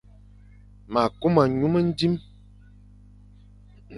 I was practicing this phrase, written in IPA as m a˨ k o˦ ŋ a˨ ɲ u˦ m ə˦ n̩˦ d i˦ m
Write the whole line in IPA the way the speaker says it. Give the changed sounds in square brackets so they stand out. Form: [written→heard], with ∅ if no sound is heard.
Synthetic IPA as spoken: m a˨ k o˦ [ŋ→m] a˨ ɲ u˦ m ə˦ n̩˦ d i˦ m